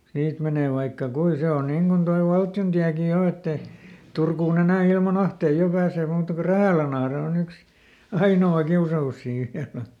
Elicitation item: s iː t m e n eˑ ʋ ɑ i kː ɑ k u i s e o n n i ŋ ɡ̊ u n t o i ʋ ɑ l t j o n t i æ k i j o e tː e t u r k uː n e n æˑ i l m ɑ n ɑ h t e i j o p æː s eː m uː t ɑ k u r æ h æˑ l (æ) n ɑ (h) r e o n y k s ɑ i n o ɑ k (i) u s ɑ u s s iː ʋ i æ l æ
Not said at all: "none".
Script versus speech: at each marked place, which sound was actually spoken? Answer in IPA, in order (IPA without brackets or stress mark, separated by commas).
æ, h, i